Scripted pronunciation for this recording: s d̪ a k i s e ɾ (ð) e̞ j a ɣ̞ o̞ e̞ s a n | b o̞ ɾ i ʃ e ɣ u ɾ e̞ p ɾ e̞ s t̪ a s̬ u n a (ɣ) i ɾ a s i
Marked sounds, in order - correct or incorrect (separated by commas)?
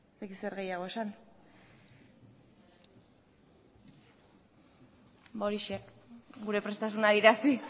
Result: incorrect, incorrect